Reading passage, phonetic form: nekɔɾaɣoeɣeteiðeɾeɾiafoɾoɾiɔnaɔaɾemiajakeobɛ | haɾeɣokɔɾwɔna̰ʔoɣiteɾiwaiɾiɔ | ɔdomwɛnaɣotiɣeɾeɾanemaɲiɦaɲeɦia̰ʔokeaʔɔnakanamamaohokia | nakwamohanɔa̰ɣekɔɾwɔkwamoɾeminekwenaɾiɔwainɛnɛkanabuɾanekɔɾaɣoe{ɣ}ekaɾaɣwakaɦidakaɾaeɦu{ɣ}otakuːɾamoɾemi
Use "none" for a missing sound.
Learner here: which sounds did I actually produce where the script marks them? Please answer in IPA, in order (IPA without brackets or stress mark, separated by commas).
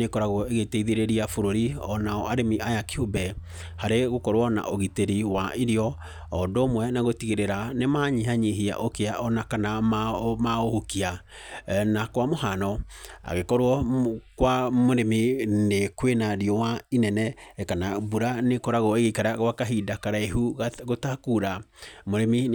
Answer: ɣ, ɣ